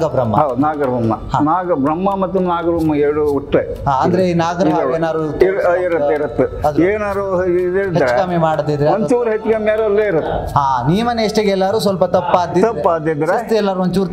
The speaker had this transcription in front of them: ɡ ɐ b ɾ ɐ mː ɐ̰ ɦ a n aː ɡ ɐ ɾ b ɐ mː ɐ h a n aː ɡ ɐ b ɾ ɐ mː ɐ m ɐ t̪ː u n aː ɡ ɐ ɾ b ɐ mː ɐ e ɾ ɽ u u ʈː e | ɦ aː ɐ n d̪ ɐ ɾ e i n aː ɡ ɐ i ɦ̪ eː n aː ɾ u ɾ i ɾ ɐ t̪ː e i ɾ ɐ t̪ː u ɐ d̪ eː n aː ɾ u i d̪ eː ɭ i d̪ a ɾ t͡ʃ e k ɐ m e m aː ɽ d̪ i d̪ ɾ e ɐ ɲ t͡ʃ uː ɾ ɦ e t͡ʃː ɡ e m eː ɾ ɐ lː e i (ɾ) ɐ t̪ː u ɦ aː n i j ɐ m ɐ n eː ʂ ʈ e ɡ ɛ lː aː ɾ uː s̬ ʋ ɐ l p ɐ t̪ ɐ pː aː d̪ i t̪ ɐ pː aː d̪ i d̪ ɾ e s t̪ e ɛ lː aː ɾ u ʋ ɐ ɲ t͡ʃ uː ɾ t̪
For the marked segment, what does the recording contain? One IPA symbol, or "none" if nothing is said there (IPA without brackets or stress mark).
ɾ